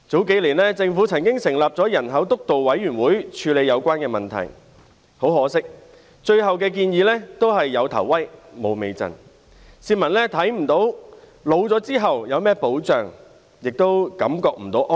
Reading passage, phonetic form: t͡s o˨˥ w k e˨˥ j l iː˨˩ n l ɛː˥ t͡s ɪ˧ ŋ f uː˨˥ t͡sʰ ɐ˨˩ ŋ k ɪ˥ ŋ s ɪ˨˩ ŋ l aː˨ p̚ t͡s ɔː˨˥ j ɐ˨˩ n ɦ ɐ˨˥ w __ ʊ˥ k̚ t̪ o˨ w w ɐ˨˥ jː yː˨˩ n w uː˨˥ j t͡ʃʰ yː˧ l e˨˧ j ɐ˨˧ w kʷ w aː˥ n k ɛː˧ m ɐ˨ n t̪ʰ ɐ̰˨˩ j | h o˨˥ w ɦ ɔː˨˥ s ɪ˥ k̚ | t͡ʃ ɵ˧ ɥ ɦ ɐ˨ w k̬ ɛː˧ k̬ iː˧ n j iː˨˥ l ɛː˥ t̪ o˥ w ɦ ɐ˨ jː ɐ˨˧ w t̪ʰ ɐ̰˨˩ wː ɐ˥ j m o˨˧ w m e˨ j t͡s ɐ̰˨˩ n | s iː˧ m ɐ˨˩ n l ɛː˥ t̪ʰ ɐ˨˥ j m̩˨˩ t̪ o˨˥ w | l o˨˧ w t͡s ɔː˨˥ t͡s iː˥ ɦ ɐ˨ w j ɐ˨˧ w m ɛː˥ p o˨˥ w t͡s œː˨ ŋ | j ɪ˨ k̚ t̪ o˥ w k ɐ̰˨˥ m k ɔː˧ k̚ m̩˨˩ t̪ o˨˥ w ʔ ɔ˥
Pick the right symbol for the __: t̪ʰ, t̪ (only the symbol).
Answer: t̪